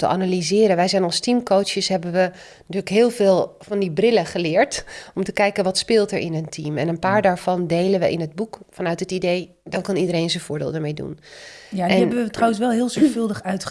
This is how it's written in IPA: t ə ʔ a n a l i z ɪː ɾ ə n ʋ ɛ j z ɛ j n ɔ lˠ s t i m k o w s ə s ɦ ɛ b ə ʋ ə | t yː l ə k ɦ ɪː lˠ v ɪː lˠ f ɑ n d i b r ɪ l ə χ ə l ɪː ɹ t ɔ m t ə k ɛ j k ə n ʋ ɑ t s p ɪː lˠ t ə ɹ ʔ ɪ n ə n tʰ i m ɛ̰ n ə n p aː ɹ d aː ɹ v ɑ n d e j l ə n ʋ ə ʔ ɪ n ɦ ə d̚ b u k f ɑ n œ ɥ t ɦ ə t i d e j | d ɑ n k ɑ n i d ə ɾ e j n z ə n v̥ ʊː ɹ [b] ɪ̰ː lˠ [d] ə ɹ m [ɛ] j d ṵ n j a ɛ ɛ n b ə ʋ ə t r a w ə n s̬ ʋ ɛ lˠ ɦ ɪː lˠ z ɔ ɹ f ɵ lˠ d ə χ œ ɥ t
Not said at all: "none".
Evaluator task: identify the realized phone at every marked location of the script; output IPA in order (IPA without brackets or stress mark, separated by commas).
d, d, e